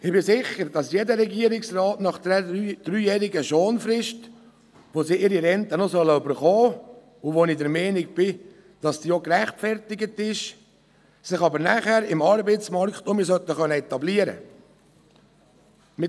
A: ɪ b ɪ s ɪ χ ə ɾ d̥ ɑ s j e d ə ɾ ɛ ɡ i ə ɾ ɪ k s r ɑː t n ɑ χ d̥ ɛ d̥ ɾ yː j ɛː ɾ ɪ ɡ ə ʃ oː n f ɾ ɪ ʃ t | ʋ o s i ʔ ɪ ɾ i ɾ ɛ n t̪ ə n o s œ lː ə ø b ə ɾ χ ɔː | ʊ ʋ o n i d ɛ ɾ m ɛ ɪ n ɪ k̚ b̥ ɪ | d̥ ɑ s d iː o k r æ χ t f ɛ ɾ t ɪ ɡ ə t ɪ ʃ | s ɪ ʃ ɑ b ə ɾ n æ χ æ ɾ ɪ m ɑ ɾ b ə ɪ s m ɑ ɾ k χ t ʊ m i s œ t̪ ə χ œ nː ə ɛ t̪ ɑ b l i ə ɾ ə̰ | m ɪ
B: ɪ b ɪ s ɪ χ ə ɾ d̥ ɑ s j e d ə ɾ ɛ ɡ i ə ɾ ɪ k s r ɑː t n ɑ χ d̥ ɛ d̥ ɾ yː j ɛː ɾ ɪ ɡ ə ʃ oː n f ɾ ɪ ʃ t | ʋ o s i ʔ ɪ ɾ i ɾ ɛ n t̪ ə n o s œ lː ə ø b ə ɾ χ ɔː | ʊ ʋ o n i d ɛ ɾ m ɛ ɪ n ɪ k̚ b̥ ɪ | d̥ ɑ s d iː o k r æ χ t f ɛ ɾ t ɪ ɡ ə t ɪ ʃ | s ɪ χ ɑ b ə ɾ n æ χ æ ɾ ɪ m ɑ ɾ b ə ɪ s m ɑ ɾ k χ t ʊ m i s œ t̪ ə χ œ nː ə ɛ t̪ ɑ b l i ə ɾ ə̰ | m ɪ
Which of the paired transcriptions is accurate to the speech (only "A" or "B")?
B